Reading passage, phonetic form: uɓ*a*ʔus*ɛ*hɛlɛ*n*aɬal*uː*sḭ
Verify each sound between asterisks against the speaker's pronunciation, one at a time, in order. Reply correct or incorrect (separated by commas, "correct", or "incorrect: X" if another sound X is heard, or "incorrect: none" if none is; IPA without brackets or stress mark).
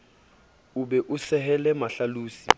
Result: incorrect: ɛ, correct, incorrect: m, correct